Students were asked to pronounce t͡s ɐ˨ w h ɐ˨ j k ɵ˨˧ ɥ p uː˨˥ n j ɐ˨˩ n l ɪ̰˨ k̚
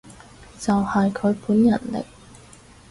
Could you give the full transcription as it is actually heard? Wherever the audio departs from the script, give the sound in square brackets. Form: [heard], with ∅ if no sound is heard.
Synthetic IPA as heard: t͡s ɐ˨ w h ɐ˨ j [kʰ] ɵ˨˧ ɥ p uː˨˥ n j ɐ˨˩ n l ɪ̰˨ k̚